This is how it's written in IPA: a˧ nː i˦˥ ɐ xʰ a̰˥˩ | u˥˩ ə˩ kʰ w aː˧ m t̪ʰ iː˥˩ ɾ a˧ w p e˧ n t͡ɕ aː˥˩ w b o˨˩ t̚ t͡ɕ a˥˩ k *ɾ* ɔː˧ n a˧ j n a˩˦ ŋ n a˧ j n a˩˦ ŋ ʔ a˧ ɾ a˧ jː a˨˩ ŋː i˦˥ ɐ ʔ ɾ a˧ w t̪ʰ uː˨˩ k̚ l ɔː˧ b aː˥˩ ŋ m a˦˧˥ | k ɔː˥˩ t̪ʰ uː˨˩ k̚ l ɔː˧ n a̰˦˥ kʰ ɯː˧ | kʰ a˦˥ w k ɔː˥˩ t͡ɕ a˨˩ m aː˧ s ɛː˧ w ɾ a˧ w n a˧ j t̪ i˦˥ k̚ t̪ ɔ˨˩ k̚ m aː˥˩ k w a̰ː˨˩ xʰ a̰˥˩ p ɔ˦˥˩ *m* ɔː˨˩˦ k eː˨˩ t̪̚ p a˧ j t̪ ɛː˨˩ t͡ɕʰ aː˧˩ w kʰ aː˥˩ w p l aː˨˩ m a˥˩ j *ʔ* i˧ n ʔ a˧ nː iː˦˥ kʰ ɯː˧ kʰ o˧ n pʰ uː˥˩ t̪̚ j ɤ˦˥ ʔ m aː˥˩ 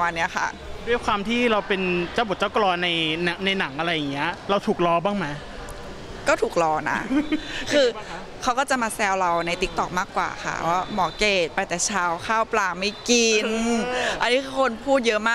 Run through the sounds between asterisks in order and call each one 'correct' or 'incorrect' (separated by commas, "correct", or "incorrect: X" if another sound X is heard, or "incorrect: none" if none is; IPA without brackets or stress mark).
incorrect: l, correct, incorrect: k